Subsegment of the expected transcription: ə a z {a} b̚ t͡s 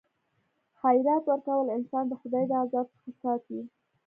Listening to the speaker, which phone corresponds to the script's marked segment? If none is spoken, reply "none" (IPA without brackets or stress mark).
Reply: ɑ